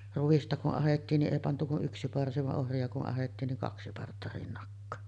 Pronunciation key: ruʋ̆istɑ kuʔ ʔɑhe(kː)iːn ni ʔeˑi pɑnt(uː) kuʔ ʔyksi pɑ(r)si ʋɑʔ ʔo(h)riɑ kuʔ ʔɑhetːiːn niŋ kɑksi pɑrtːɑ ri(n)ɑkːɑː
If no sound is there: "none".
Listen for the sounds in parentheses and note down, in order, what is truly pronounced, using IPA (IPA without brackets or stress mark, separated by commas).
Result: tː, u, r, h, nː